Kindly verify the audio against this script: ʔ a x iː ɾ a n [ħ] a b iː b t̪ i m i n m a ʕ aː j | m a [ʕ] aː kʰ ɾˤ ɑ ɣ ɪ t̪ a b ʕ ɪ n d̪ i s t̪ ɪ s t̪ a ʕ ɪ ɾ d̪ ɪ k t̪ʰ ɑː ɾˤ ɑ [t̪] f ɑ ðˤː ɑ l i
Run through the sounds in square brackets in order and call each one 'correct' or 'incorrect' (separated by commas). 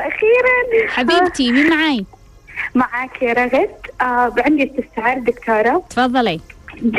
correct, correct, correct